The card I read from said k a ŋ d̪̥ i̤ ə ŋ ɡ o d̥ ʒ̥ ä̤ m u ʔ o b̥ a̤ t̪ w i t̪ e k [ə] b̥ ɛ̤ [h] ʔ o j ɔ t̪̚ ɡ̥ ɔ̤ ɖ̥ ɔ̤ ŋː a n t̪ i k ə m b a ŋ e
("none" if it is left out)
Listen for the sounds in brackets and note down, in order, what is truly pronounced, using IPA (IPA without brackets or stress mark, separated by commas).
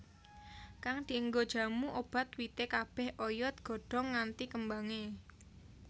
a, h